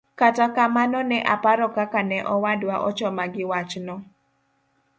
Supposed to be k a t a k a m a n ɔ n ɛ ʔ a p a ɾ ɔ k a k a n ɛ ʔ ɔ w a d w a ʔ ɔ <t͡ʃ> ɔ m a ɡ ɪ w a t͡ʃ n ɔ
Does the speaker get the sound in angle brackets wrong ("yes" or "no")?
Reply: no